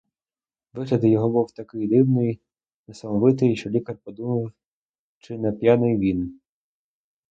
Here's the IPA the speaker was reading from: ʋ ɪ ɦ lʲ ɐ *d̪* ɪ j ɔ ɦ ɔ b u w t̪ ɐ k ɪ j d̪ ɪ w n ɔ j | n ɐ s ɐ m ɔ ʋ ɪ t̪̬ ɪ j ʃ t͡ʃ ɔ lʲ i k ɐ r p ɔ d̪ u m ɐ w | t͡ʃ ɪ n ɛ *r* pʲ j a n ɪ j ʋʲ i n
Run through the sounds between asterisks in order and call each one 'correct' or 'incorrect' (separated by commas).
correct, incorrect